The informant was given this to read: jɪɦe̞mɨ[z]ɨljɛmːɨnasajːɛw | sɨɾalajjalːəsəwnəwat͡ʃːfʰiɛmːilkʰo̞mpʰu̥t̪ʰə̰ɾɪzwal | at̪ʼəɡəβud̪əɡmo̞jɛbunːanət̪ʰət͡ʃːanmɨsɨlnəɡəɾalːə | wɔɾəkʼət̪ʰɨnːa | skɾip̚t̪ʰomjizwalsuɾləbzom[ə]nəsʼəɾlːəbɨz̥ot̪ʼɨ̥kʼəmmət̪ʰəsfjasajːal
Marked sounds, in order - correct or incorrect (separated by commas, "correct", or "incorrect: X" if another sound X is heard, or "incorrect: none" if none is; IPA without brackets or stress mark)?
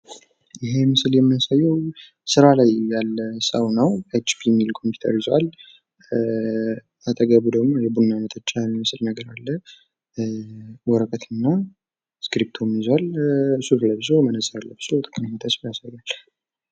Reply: incorrect: s, correct